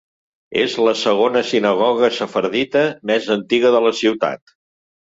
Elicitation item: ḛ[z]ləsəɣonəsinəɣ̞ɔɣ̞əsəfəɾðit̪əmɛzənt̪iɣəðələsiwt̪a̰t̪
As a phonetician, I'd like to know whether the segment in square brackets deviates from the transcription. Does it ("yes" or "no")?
no